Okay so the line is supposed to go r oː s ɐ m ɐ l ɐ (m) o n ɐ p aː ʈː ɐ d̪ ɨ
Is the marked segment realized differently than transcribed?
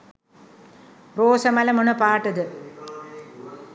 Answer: no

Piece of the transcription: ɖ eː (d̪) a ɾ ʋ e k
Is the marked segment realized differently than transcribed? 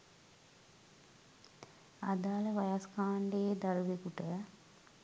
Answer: no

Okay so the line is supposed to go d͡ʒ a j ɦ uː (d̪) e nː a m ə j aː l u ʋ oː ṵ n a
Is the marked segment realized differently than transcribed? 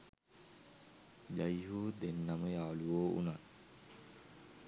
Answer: no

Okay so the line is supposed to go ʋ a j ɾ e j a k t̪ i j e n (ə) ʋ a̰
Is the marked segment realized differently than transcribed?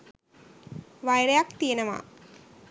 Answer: no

